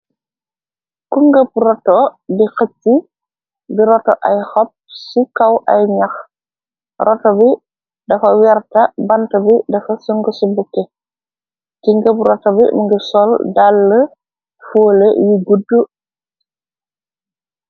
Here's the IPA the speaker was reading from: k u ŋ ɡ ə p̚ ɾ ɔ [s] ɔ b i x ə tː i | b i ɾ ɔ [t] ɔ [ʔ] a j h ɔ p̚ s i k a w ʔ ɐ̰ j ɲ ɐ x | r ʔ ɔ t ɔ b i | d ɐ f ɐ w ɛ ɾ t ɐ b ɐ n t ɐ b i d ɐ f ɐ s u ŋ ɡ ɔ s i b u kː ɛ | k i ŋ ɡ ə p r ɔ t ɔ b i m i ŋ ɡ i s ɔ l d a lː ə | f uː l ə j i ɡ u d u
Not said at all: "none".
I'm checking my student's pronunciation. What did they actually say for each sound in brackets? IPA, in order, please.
t, t, ʔ

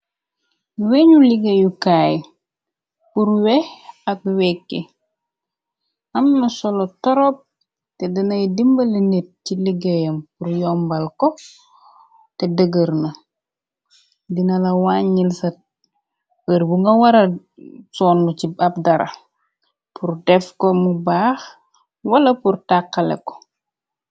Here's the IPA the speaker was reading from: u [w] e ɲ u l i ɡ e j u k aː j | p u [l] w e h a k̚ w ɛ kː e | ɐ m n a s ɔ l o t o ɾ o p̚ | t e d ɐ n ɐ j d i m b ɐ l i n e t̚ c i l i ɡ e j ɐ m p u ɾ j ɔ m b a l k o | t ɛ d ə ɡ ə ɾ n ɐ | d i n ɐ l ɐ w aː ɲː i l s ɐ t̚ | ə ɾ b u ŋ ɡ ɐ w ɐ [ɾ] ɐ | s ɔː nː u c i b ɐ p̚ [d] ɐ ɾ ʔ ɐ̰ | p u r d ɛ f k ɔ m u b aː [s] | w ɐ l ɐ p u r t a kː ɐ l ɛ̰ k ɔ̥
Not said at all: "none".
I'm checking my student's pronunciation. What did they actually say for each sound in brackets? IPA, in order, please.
w, ɾ, ɾ, d, x

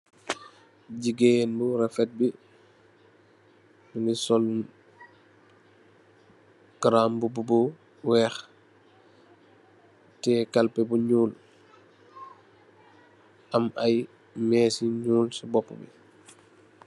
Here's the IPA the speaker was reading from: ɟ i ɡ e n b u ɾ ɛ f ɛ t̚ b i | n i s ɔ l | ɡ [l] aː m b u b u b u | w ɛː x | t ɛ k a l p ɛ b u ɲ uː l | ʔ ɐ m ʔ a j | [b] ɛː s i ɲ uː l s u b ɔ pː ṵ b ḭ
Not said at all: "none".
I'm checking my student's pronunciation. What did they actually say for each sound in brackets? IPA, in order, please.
ɾ, m

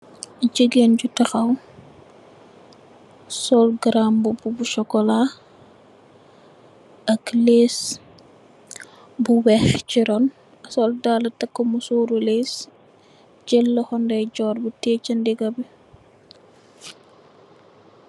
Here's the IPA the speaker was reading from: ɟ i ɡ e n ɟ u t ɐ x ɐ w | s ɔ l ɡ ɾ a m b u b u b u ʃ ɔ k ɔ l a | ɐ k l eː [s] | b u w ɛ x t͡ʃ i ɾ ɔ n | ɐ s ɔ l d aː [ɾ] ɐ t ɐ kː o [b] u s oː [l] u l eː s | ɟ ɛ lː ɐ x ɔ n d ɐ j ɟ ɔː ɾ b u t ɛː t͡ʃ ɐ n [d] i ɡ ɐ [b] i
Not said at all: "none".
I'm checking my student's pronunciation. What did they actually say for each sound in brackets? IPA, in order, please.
s, l, m, ɾ, d, b

